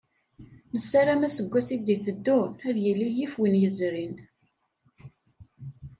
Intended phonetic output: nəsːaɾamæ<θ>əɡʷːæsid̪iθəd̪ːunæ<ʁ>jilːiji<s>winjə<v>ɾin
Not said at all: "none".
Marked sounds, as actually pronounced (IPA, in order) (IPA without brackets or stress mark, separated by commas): s, ð, f, z